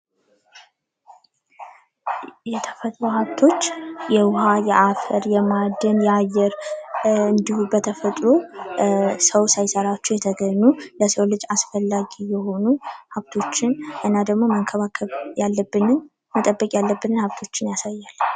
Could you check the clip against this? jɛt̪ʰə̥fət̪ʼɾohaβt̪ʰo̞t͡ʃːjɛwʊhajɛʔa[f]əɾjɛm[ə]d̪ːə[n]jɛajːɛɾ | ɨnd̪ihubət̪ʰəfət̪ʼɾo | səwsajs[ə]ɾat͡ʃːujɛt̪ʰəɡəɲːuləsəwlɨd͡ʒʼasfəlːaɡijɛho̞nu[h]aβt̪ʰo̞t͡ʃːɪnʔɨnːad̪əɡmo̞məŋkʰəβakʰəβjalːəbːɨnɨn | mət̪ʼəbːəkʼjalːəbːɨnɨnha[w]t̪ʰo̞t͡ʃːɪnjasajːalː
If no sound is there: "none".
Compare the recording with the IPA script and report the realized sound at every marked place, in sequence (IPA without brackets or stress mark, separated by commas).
f, a, n, ə, h, β